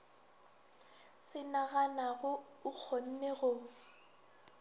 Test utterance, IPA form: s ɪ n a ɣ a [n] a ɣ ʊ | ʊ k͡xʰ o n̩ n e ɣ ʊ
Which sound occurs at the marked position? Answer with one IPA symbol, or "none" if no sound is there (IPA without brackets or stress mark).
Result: n